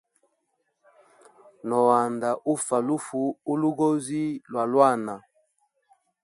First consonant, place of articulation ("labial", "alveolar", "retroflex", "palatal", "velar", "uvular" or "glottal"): alveolar